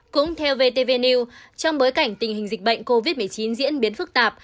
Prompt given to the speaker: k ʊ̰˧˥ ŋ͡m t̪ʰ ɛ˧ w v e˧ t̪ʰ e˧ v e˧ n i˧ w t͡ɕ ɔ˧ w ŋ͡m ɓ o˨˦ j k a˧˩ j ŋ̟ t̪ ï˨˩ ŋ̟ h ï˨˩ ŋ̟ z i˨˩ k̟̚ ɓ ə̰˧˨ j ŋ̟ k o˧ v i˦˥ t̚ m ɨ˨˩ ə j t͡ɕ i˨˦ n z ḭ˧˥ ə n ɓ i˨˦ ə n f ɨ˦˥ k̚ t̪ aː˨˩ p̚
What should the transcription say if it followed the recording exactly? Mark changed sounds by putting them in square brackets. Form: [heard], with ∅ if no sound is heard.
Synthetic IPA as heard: k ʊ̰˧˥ ŋ͡m t̪ʰ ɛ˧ w v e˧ [t̪] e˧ v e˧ n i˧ w t͡ɕ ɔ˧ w ŋ͡m ɓ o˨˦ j k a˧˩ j ŋ̟ t̪ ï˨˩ ŋ̟ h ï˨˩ ŋ̟ z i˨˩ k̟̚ ɓ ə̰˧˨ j ŋ̟ k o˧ v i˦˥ t̚ m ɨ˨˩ ə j t͡ɕ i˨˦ n z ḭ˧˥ ə n ɓ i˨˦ ə n f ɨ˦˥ k̚ t̪ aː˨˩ p̚